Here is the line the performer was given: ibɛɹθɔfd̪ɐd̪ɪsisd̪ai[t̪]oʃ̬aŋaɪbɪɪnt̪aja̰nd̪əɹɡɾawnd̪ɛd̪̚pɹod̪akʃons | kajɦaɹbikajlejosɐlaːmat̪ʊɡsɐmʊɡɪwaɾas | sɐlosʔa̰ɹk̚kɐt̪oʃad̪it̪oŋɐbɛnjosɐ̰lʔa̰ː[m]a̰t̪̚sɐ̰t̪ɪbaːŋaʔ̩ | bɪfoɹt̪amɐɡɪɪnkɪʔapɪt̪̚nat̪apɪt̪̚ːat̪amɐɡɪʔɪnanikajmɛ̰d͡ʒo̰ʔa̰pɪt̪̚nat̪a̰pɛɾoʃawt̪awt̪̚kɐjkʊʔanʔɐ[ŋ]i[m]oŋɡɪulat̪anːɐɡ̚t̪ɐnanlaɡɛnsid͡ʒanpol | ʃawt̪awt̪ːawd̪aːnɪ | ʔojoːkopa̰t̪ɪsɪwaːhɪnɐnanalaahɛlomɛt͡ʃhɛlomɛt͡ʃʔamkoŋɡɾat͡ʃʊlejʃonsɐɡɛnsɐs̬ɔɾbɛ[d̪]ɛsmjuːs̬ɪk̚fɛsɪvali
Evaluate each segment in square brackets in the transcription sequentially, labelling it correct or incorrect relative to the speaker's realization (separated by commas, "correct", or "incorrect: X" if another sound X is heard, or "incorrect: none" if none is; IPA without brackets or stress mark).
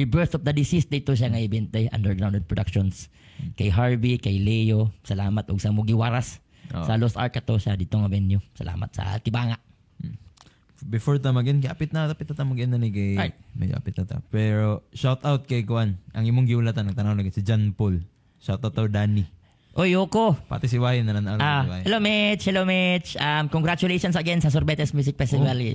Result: correct, correct, correct, correct, incorrect: t̪